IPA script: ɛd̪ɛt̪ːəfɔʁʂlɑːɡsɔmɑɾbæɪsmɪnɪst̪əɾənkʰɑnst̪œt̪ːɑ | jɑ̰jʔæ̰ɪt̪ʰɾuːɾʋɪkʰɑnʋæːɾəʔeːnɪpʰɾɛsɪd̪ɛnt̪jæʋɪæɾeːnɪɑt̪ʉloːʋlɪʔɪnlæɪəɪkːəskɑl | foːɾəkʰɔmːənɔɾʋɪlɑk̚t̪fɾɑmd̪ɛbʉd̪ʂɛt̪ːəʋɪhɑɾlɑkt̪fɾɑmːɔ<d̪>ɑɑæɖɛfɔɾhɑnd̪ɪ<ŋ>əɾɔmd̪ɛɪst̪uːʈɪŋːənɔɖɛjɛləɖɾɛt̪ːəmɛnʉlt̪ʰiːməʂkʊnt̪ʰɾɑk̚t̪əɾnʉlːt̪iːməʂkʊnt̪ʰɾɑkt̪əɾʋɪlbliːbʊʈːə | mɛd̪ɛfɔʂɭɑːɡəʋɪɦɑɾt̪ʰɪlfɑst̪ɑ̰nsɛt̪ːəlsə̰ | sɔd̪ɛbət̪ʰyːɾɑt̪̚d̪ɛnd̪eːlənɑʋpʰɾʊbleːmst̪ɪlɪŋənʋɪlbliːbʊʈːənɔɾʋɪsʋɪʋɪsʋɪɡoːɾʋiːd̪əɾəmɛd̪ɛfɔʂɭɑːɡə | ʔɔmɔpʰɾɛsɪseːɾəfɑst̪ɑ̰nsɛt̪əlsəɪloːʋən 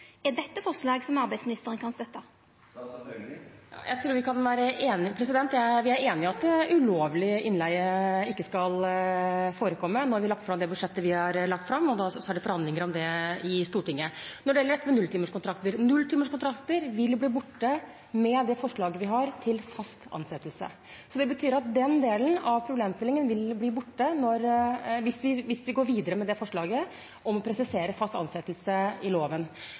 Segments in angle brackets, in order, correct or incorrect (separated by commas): correct, correct